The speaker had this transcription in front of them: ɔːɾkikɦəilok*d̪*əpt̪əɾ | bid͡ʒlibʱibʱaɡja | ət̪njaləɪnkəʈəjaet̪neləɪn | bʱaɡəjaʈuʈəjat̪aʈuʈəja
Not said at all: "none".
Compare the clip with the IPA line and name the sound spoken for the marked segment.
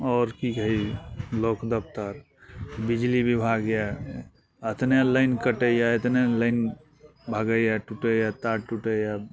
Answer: d̪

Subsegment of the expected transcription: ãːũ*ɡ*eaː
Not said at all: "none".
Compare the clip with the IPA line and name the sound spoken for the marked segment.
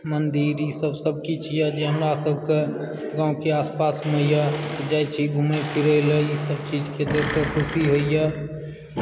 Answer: k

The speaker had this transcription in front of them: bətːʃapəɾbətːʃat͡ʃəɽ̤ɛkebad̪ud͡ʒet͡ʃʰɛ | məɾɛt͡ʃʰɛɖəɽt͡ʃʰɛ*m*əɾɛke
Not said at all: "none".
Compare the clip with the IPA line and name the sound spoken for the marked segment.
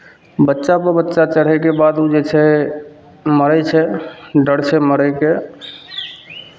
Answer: m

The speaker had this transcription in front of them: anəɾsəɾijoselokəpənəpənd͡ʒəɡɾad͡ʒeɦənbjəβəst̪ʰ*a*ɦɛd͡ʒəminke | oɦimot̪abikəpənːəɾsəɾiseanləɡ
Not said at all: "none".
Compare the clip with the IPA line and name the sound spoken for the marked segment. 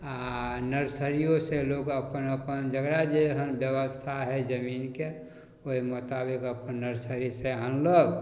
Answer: a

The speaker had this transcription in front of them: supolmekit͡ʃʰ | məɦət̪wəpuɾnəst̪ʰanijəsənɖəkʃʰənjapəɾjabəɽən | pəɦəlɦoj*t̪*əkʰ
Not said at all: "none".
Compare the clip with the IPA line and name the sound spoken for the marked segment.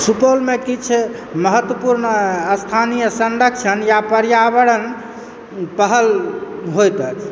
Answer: t̪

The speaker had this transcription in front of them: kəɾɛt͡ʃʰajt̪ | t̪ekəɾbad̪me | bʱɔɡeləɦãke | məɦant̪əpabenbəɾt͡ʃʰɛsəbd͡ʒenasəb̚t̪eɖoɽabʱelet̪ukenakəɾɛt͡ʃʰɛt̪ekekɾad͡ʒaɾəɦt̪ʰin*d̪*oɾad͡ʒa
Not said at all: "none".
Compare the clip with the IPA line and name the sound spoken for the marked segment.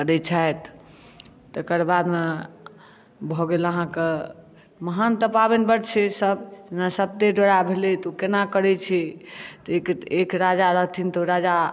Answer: t̪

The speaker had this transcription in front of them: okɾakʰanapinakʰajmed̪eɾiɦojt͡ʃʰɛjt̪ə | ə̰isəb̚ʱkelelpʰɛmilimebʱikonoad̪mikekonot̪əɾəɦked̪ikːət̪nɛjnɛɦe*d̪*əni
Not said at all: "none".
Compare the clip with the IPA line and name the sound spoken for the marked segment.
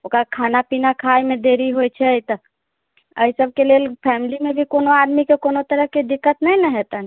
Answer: t̪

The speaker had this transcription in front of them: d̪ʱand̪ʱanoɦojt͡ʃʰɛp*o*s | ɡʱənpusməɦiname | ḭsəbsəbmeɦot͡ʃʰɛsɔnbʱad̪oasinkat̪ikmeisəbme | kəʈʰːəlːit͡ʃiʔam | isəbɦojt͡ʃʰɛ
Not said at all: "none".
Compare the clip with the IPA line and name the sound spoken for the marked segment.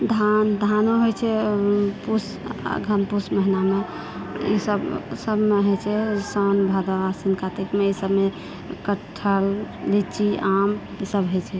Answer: u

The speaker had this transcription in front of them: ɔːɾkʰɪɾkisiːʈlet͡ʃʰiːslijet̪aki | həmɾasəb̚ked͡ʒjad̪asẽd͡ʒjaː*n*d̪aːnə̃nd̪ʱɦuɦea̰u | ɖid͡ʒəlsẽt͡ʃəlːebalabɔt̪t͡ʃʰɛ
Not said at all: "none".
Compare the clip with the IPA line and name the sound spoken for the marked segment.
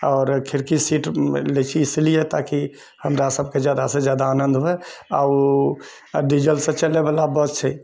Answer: none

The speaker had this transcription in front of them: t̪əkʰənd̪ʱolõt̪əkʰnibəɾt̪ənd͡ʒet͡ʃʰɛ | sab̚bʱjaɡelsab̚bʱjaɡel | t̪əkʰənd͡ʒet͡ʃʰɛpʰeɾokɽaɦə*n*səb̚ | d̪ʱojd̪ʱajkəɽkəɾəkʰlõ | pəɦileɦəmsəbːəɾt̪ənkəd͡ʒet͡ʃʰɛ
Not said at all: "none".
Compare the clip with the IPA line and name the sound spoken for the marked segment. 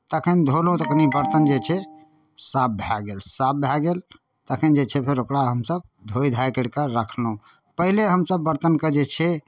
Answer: m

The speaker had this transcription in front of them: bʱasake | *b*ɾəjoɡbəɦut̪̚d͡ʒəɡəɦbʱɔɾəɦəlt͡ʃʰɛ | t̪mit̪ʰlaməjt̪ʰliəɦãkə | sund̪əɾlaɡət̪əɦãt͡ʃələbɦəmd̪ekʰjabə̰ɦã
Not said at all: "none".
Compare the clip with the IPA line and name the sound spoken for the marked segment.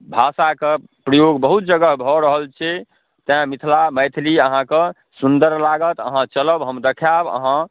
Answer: p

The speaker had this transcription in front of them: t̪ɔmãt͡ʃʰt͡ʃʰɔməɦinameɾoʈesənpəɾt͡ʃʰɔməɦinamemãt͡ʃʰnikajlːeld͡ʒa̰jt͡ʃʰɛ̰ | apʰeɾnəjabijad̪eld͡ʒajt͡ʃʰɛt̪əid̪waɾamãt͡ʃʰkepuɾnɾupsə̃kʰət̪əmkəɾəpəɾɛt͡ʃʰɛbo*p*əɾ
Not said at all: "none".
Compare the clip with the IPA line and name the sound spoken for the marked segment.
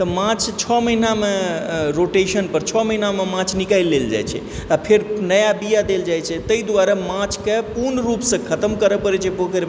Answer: k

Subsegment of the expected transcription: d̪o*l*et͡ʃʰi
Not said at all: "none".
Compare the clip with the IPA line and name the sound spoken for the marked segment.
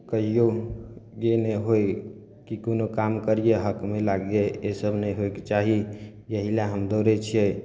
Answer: ɾ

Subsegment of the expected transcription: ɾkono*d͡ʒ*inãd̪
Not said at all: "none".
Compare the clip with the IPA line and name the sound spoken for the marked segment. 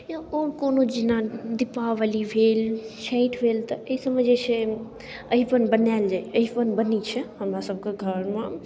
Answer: d͡ʒ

